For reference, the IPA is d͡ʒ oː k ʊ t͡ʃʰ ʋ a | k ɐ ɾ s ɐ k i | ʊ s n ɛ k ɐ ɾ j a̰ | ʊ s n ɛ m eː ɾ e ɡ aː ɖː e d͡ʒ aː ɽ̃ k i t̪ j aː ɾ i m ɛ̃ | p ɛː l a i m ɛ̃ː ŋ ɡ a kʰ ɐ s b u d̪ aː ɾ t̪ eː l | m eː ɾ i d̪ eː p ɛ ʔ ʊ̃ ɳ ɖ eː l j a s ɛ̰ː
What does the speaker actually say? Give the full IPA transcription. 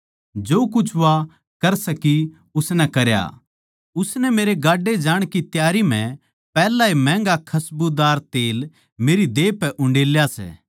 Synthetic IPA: d͡ʒ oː k ʊ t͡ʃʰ ʋ a | k ɐ ɾ s ɐ k i | ʊ s n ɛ k ɐ ɾ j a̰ | ʊ s n ɛ m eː ɾ e ɡ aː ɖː e d͡ʒ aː ɽ̃ k i t̪ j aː ɾ i m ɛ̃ | p ɛː l a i m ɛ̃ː ŋ ɡ a kʰ ɐ s b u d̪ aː ɾ t̪ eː l | m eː ɾ i d̪ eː p ɛ ʔ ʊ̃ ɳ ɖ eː l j a s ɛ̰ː